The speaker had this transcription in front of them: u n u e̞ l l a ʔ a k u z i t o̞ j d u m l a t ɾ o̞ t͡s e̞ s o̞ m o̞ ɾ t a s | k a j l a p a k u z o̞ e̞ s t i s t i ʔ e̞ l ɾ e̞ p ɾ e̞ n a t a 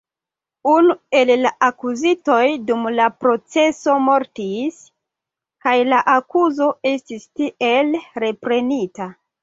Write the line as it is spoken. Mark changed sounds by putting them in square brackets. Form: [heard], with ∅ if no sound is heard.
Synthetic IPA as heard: u n u e̞ l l a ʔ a k u z i t o̞ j d u m l a [p] ɾ o̞ t͡s e̞ s o̞ m o̞ ɾ t [i] s | k a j l a [ʔ] a k u z o̞ e̞ s t i s t i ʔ e̞ l ɾ e̞ p ɾ e̞ n [i] t a